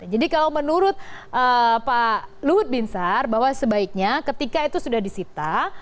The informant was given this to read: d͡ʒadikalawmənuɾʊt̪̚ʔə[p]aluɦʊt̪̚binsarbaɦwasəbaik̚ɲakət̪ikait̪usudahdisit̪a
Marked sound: correct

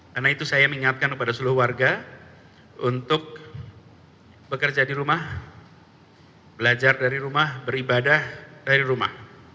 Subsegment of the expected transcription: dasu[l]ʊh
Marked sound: correct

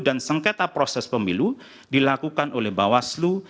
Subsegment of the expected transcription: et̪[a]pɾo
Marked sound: correct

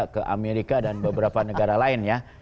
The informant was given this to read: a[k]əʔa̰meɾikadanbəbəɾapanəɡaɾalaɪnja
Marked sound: correct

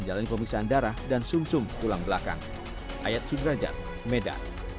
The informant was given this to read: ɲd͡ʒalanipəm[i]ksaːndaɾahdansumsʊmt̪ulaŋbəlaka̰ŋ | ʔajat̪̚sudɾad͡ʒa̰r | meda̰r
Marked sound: correct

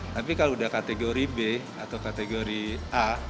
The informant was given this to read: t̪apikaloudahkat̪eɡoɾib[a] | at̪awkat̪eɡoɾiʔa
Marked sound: incorrect: e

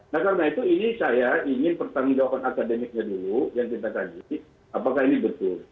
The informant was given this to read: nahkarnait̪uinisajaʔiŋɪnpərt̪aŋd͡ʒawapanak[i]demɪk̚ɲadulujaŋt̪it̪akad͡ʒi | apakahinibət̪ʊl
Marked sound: incorrect: a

